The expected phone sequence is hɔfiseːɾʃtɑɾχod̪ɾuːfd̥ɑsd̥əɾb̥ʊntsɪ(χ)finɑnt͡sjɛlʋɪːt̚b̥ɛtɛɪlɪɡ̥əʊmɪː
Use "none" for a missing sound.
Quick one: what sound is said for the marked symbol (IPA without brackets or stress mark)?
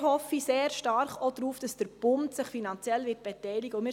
χ